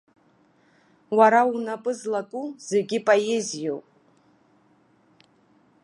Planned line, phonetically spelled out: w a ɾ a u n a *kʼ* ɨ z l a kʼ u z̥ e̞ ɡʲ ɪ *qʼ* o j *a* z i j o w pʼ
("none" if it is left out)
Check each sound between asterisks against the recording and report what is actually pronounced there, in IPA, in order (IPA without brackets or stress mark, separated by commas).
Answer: pʼ, pʼ, e